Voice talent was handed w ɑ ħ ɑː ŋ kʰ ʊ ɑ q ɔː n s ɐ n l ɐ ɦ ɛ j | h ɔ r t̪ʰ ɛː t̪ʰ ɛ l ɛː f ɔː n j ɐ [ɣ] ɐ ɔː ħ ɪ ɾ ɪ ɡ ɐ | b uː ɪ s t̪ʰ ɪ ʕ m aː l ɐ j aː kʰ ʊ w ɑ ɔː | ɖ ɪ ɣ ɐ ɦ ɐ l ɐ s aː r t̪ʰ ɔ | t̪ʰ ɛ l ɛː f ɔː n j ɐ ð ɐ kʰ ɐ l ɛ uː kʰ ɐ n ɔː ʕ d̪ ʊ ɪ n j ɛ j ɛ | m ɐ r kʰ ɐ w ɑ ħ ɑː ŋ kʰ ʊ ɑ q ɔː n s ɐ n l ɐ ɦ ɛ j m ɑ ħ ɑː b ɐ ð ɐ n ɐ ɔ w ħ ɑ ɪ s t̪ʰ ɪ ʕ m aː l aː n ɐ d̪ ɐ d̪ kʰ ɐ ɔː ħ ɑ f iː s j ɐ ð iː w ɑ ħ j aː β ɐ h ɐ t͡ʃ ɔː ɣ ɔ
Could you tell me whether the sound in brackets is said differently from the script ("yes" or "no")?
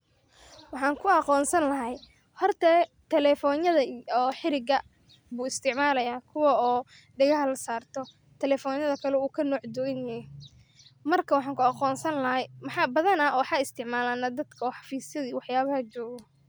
yes